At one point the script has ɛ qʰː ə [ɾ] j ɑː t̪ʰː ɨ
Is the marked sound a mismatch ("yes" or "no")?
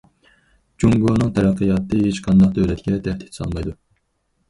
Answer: yes